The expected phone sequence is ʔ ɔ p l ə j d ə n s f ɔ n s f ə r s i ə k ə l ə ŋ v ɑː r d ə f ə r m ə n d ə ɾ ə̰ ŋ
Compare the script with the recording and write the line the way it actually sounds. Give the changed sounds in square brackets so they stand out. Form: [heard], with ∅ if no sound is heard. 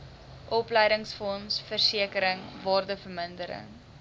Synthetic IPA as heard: ʔ ɔ p l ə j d ə [ŋ] s f ɔ n s f ə r s i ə k ə [ɾ] ə ŋ v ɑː r d ə f ə r m ə n d ə ɾ ə̰ ŋ